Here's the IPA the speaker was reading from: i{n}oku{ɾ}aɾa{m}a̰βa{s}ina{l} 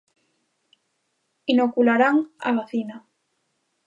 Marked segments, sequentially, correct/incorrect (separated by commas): correct, incorrect, incorrect, incorrect, incorrect